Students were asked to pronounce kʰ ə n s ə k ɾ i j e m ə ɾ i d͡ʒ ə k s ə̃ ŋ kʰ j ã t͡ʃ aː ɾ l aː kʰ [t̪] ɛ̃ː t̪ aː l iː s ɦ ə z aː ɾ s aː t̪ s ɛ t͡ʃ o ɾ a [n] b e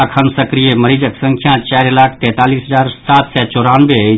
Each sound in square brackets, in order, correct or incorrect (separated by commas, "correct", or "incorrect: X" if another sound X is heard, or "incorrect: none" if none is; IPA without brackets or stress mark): correct, correct